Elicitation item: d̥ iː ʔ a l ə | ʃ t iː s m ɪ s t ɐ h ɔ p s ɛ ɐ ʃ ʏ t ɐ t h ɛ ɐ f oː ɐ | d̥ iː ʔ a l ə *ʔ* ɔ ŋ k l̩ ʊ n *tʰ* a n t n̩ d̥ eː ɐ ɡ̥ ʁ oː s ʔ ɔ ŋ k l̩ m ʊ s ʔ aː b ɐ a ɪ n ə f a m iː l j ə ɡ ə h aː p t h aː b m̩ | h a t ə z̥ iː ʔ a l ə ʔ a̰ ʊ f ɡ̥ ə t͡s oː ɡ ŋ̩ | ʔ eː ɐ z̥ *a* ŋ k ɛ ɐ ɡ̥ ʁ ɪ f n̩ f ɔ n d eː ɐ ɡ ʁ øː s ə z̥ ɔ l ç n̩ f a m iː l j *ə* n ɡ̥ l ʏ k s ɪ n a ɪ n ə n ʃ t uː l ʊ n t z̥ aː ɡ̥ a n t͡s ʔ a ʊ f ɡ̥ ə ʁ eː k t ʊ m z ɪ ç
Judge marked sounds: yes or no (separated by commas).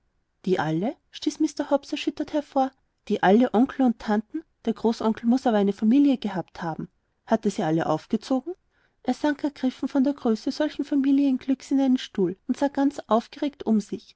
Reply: yes, yes, yes, yes